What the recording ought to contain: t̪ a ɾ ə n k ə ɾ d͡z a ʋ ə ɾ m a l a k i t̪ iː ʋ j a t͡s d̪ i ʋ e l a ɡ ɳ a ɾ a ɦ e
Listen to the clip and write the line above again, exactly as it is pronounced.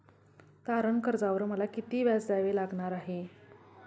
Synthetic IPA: t̪ a ɾ ə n k ə ɾ d͡z a ʋ ə ɾ m ə l a k i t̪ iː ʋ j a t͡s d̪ a ʋ e l a ɡ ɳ a ɾ a ɦ e